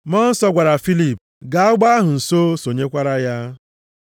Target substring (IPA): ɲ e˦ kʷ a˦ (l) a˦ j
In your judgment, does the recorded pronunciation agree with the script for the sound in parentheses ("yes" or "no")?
no